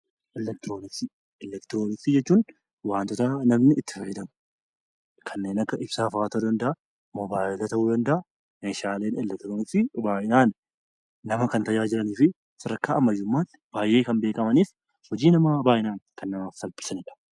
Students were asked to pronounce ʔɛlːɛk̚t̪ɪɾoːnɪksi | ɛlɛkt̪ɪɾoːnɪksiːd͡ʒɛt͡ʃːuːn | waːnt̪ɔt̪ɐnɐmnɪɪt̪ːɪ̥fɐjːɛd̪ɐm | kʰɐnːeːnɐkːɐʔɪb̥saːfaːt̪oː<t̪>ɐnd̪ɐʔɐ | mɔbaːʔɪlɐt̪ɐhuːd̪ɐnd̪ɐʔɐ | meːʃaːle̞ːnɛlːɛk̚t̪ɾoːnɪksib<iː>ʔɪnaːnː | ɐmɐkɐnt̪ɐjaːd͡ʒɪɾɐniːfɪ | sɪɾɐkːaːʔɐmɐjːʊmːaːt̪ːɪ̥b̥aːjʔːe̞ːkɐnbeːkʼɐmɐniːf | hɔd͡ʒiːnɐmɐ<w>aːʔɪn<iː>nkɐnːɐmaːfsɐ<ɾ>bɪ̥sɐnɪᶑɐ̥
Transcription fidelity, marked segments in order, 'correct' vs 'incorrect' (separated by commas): incorrect, incorrect, incorrect, incorrect, incorrect